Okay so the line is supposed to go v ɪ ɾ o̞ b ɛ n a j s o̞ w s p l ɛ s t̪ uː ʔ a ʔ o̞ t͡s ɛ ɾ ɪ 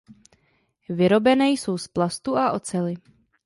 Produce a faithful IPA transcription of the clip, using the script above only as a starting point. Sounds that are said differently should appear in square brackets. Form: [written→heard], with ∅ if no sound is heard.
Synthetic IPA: v ɪ ɾ o̞ b ɛ n [a→ɛ] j s o̞ w s p l [ɛ→a] s t̪ [uː→u] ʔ a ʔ o̞ t͡s ɛ [ɾ→l] ɪ